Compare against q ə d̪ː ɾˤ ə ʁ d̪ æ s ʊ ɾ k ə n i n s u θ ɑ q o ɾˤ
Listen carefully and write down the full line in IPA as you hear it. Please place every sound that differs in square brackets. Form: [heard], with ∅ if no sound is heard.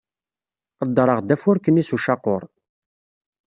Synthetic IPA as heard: q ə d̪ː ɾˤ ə ʁ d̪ æ [f] ʊ ɾ k ə n i [∅] s u [ʃ] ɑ q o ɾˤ